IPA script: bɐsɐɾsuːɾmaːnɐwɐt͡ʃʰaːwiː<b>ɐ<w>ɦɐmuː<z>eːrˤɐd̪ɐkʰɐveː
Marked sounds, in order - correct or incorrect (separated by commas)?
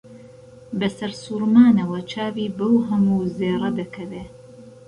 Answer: correct, correct, correct